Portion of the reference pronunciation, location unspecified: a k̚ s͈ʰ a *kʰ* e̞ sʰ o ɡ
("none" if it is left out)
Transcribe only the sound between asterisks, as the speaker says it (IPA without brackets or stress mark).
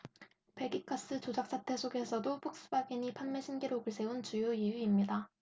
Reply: tʰ